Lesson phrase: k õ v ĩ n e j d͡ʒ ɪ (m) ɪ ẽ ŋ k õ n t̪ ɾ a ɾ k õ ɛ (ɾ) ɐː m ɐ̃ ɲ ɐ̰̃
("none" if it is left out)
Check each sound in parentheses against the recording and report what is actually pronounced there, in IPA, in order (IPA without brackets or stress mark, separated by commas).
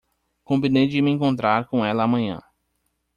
m, l